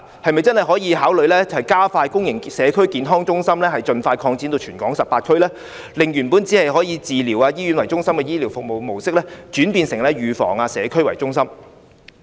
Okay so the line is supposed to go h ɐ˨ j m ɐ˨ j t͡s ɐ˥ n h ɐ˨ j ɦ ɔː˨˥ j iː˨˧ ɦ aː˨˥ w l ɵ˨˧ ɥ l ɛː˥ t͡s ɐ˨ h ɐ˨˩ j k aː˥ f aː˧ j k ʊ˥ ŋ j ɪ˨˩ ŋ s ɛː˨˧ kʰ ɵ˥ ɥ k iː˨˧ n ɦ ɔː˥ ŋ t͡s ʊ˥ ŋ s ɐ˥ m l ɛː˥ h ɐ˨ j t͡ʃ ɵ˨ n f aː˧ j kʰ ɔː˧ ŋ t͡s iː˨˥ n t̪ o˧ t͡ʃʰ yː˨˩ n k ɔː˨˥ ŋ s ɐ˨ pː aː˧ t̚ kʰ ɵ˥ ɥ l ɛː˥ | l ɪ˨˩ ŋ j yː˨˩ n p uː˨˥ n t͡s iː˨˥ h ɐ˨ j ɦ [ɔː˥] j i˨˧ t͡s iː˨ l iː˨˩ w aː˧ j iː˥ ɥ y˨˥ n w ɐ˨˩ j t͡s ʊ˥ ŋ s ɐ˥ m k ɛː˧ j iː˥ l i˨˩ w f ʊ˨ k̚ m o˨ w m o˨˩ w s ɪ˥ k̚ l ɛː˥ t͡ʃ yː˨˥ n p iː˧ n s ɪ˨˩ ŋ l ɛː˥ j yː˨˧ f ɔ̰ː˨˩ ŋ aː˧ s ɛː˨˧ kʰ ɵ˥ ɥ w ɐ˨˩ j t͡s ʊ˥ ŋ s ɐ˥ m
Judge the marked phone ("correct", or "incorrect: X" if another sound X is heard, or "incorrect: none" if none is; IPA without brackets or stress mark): incorrect: ɔː˨˥